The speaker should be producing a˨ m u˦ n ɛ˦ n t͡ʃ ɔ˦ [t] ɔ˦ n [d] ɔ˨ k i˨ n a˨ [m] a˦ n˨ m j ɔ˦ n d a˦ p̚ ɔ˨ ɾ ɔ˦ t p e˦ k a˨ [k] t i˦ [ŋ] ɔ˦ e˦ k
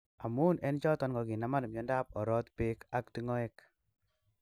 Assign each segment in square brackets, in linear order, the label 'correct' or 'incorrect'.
correct, incorrect, correct, correct, correct

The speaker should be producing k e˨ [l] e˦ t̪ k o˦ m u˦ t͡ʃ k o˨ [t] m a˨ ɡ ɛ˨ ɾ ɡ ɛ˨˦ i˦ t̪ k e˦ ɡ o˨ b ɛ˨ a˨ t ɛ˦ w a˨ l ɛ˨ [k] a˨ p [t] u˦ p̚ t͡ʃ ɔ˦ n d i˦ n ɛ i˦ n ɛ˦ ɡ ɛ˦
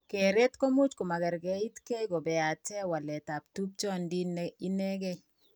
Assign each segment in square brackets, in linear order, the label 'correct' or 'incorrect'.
incorrect, incorrect, incorrect, correct

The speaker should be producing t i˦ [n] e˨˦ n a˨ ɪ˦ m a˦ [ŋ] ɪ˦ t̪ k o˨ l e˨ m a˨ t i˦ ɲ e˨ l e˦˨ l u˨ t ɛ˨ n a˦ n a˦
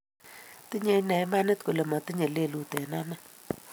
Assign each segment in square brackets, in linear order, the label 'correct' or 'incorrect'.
incorrect, incorrect

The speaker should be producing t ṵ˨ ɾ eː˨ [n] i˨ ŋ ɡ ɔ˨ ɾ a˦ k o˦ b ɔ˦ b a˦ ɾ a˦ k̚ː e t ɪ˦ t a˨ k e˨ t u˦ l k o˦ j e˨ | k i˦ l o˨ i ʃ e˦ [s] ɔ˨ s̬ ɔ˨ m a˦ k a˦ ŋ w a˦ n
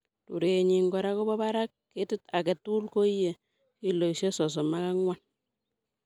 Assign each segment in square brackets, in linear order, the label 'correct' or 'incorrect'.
incorrect, correct

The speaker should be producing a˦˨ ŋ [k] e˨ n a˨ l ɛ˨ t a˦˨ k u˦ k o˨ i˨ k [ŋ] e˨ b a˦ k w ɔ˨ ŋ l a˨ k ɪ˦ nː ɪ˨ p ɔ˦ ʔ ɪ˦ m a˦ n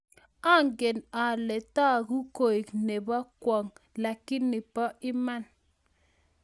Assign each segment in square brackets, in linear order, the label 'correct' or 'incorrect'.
incorrect, incorrect

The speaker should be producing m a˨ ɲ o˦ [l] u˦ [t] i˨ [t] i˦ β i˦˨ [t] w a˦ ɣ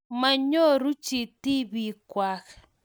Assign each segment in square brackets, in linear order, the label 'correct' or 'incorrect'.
incorrect, incorrect, correct, incorrect

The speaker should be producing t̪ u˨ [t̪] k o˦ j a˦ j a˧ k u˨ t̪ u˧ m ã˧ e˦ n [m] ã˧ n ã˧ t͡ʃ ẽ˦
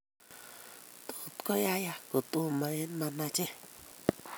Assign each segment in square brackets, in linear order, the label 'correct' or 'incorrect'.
correct, correct

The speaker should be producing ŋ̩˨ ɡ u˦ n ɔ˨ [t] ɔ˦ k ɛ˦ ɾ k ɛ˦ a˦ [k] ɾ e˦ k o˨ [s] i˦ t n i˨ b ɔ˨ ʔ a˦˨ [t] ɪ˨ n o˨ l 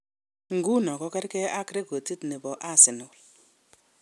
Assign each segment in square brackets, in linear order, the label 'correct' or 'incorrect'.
incorrect, correct, incorrect, incorrect

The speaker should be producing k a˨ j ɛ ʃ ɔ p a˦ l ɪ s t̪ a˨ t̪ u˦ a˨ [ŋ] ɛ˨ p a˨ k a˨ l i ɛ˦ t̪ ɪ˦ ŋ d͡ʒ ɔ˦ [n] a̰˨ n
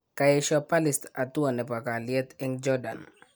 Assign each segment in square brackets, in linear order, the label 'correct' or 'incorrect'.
incorrect, incorrect

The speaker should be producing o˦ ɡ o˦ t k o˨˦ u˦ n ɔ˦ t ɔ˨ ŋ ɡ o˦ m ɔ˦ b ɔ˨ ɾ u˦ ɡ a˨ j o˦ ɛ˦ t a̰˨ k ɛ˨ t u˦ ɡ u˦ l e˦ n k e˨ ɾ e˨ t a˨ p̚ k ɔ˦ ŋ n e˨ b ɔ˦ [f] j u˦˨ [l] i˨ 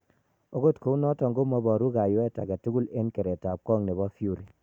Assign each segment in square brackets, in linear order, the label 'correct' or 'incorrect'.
correct, incorrect

